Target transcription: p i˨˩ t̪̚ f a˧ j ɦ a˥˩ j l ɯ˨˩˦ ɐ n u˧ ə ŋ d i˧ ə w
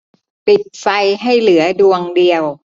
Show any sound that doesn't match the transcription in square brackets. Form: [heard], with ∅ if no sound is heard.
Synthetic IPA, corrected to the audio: p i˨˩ t̪̚ f a˧ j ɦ a˥˩ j l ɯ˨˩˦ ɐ [d] u˧ ə ŋ d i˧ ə w